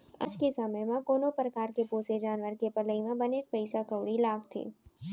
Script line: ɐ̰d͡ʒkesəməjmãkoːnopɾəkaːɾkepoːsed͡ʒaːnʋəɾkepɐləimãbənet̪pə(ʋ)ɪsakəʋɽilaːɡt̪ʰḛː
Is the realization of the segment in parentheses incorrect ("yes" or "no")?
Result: yes